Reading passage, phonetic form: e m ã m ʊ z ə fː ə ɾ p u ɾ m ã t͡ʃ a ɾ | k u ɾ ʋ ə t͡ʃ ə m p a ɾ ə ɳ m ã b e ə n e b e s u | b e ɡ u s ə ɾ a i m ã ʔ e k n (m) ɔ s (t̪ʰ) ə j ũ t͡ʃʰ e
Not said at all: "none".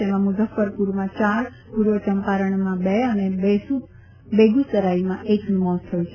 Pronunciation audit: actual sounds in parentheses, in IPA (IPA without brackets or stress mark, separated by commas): m, t̪ʰ